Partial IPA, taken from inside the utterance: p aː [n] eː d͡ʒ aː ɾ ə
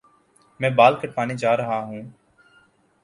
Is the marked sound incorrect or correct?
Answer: correct